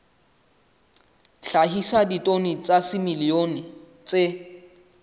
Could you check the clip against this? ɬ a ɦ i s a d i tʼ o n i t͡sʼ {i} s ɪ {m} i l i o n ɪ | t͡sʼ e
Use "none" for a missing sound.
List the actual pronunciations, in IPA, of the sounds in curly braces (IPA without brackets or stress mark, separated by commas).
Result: a, m